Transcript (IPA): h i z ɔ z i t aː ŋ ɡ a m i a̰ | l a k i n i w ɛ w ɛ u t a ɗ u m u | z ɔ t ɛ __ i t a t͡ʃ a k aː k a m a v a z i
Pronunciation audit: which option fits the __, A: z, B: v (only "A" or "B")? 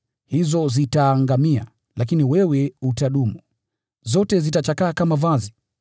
A